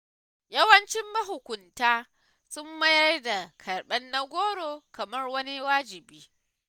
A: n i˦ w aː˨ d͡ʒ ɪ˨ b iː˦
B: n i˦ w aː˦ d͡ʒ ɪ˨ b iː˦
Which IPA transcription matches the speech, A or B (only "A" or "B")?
B